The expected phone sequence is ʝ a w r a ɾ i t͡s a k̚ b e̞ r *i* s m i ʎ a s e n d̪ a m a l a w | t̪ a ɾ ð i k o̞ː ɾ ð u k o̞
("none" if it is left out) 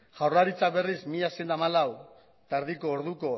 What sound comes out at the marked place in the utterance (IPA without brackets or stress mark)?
i